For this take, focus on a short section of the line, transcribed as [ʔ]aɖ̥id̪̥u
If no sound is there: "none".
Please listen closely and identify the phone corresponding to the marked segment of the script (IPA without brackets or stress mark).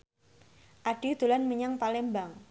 ʔ